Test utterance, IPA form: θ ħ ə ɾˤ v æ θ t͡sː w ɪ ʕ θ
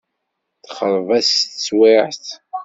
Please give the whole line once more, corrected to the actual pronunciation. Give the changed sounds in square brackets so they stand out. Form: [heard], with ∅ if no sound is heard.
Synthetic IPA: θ [χ] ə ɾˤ v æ [s] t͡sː w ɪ ʕ θ